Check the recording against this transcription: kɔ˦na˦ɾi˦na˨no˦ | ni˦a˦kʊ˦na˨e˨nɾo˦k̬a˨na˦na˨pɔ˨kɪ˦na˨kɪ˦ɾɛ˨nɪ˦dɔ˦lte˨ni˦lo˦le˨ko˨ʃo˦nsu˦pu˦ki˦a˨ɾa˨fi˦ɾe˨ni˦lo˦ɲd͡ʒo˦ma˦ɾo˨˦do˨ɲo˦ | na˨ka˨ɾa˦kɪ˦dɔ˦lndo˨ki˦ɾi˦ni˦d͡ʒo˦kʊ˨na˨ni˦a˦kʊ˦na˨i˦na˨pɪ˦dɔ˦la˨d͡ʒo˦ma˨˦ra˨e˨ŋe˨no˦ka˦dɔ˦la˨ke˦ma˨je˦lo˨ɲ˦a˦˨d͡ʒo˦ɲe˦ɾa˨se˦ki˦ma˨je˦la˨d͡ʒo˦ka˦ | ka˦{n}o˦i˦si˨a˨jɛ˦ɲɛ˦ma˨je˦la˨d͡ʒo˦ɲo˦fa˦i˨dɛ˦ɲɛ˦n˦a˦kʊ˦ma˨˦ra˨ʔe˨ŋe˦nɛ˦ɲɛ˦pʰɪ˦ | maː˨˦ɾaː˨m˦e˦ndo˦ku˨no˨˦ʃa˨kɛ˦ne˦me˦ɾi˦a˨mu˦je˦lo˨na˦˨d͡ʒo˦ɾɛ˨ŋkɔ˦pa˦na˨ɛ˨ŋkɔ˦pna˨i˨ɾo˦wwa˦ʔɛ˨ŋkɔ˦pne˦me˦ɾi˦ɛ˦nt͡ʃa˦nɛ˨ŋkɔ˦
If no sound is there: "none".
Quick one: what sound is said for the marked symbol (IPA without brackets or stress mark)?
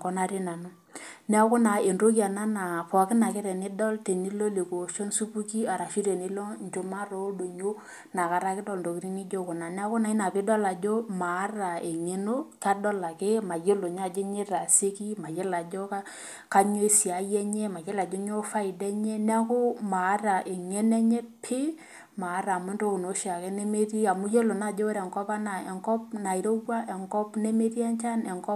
ɲ